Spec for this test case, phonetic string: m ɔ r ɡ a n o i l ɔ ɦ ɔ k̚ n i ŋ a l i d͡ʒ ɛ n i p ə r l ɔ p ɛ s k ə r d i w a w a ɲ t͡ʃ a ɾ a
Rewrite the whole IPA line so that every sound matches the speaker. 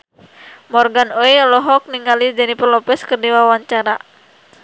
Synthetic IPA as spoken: m ɔ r ɡ a n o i l ɔ ɦ ɔ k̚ n i ŋ a l i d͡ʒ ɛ n i p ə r l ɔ p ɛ s k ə r d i w a w a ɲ t͡ʃ a ɾ a